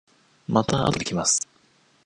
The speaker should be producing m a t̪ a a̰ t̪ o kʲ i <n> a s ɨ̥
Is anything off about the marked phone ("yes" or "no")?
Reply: yes